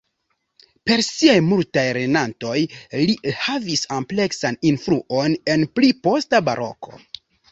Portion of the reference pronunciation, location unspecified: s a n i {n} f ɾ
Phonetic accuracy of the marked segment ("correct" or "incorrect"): correct